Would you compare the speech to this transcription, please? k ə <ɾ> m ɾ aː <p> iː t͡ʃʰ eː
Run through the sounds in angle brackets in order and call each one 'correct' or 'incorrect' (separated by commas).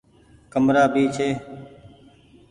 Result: incorrect, incorrect